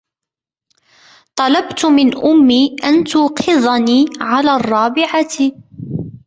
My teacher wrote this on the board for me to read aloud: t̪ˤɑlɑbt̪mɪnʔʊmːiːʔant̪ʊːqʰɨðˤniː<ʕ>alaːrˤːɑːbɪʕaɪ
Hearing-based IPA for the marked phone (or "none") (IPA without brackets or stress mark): ʕ